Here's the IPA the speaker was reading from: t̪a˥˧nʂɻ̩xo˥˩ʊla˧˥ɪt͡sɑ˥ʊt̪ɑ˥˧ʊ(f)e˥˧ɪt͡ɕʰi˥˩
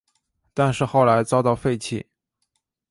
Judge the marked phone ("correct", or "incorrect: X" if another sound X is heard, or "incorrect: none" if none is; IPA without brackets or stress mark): correct